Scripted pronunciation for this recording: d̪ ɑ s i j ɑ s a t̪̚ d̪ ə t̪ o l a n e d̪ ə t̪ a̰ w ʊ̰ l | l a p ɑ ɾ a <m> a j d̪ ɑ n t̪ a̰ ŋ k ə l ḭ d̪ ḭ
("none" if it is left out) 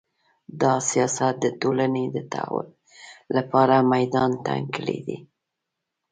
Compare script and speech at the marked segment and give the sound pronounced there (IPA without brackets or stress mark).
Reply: m